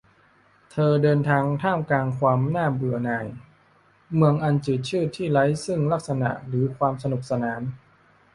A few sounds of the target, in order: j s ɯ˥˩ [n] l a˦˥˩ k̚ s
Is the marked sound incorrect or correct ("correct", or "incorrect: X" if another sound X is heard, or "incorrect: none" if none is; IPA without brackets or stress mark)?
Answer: incorrect: ŋ